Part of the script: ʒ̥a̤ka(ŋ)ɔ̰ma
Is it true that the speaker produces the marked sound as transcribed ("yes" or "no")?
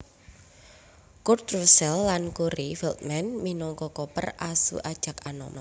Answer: no